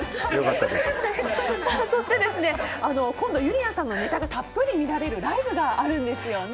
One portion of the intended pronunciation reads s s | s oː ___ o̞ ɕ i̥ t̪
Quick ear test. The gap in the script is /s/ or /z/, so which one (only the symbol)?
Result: s